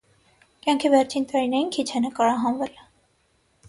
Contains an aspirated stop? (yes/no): yes